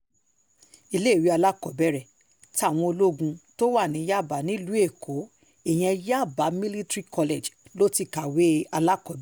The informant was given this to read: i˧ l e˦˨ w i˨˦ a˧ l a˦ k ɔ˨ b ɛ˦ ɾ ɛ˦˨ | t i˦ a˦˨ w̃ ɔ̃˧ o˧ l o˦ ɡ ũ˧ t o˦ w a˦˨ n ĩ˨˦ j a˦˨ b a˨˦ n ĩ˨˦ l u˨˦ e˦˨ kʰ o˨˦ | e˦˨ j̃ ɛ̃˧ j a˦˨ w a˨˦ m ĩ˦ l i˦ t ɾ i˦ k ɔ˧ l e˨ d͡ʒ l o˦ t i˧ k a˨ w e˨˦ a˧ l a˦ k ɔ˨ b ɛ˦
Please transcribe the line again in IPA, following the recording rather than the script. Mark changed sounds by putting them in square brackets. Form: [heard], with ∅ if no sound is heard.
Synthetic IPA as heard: i˧ l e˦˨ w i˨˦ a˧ l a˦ k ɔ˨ b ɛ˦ ɾ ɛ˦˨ | t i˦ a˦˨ w̃ ɔ̃˧ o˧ l o˦ ɡ ũ˧ t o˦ w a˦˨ n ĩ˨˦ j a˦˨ b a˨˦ n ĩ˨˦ l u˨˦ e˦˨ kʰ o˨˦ | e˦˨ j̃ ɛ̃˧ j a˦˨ [b] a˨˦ m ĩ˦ l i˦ t ɾ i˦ k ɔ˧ l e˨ d͡ʒ l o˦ t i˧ k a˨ w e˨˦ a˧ l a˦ k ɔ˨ b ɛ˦

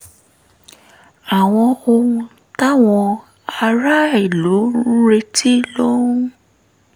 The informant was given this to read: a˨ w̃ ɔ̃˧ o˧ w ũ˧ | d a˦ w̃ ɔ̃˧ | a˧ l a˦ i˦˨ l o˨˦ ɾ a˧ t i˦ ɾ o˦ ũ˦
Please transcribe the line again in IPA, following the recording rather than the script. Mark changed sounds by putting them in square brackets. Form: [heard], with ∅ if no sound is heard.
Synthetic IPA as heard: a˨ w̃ ɔ̃˧ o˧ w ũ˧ | [t] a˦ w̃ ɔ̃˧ | a˧ [ɾ] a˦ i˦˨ l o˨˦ ɾ [e˧] t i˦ [l] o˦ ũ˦

